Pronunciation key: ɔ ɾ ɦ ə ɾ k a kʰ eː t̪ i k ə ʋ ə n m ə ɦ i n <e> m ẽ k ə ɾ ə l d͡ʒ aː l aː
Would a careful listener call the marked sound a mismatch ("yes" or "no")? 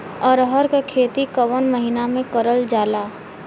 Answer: yes